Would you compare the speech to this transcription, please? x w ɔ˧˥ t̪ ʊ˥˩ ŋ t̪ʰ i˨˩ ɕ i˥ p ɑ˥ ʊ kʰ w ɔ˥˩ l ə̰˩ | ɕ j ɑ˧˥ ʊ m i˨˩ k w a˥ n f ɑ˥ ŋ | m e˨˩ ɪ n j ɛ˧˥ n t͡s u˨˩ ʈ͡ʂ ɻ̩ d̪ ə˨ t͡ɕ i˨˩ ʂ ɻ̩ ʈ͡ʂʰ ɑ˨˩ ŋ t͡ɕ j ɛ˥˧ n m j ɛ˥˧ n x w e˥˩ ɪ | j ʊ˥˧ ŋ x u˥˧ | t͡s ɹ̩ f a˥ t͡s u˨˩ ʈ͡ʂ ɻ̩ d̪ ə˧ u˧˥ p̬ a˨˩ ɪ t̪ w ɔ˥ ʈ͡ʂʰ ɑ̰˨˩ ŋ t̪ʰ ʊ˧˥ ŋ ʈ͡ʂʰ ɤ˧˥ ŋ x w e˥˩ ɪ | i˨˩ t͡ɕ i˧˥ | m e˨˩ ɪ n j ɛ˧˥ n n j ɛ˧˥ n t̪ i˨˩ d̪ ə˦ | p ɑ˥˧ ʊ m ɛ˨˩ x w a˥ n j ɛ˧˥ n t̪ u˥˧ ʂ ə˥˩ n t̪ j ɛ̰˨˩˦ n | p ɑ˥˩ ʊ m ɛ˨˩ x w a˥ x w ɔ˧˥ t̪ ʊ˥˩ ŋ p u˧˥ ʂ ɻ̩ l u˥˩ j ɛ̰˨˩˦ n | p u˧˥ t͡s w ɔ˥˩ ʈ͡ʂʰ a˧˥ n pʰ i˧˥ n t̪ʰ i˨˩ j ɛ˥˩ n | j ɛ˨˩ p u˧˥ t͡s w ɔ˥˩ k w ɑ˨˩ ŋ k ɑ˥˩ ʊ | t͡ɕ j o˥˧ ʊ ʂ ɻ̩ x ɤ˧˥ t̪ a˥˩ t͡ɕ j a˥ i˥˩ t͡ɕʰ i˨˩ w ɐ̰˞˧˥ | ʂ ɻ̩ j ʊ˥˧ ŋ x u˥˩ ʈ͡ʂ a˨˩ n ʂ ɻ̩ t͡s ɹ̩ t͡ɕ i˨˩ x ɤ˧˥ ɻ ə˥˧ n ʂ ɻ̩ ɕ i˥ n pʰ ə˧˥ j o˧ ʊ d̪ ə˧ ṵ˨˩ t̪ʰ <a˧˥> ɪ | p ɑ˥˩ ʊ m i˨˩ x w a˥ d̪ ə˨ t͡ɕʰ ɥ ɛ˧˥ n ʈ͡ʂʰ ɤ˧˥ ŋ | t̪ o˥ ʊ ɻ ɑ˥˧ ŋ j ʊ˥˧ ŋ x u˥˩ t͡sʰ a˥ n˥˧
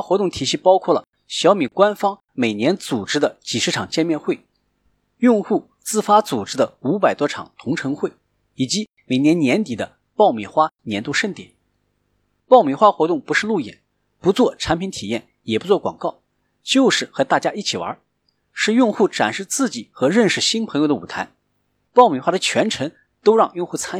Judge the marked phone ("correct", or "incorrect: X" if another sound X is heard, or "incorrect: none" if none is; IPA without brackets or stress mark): correct